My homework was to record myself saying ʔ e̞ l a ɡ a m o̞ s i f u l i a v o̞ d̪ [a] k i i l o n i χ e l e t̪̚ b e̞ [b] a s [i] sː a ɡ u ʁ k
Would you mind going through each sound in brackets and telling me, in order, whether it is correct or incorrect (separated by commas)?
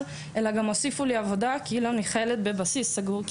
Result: correct, correct, correct